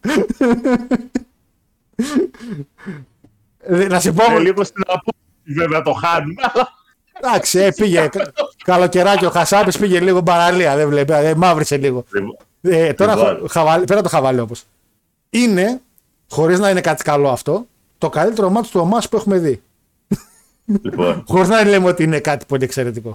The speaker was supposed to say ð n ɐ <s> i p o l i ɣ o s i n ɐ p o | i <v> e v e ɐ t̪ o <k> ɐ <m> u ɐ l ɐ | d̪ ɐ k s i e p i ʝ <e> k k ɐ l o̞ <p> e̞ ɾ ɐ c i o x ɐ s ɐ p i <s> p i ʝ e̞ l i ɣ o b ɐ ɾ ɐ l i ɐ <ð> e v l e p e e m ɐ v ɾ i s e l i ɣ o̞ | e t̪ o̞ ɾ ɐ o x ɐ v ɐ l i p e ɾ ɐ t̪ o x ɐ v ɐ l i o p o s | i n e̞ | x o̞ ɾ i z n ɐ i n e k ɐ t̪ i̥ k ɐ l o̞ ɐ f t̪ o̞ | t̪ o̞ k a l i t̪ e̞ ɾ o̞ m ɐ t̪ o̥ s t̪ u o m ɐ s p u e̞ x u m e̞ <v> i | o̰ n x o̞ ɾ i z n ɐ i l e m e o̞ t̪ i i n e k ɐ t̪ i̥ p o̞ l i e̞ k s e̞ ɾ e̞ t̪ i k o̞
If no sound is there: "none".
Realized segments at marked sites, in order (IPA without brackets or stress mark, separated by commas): s, v, x, n, e, c, s, ð, ð